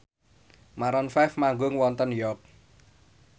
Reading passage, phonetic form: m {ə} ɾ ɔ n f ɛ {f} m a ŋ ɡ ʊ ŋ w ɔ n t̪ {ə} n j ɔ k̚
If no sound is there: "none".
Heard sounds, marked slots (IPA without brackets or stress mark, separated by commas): a, f, ə